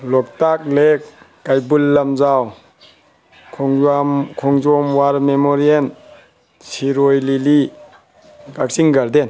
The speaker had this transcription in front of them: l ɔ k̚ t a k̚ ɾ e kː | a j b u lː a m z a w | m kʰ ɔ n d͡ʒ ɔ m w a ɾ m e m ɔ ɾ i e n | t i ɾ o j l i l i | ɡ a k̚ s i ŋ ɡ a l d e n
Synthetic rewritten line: l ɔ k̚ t a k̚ l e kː | a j b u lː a m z a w | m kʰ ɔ ŋ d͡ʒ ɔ m w a ɾ m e m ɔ ɾ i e n | s i ɾ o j l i l i | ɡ a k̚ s i ŋ ɡ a ɾ d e n